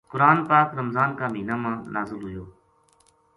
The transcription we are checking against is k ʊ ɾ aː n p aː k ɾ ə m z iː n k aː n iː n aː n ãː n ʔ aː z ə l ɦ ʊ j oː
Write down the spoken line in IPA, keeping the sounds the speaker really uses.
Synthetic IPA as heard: k ʊ ɾ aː n p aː k ɾ ə m z aː n k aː m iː n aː m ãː n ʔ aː z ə l ɦ ʊ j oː